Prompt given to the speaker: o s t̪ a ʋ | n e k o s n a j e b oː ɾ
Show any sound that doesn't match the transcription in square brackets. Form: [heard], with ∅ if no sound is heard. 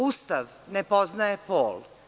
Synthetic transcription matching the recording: [u] s t̪ a ʋ | n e [p] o [z] n a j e [p] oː [l]